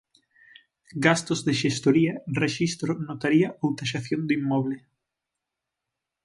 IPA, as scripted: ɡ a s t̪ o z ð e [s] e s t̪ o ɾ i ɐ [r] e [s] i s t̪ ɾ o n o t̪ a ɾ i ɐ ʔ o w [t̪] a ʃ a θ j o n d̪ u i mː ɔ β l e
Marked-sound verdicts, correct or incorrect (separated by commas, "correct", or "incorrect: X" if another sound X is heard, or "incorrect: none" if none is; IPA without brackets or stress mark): incorrect: ʃ, correct, incorrect: ʃ, correct